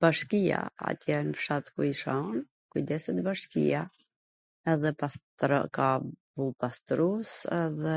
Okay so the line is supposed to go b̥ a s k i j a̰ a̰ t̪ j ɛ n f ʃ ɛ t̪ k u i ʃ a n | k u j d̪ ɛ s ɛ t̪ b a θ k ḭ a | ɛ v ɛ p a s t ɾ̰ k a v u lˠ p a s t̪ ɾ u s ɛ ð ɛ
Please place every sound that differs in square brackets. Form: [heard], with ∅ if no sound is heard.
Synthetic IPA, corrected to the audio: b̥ a [ʃ] k i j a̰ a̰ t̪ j ɛ n f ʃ [a] t̪ k u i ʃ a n | k u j d̪ ɛ s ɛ t̪ b a [ʃ] k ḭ a | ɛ [ð] ɛ p a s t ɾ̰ k a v u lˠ p a s t̪ ɾ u s ɛ ð ɛ